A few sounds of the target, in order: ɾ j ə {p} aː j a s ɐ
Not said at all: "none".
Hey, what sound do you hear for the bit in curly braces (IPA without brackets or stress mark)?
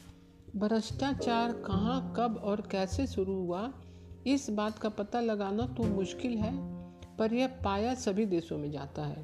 p